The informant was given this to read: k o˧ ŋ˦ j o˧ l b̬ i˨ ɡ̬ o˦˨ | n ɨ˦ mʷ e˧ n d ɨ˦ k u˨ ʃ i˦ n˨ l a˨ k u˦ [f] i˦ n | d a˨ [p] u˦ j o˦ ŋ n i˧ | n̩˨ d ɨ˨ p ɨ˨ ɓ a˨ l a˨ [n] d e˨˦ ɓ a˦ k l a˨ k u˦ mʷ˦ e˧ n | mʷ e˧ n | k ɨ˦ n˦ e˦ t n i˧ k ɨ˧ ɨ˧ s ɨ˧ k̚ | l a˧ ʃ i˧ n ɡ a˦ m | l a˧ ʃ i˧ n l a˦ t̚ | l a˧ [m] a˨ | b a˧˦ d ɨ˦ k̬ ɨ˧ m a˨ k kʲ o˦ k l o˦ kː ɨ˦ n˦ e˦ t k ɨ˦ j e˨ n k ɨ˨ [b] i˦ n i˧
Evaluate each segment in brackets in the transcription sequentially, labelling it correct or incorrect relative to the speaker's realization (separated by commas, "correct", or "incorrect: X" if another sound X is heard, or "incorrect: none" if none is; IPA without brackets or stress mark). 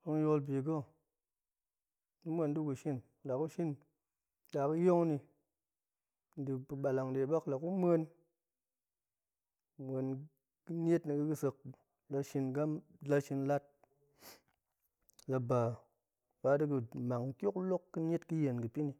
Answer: incorrect: ʃ, incorrect: k, incorrect: ŋ, incorrect: b, incorrect: p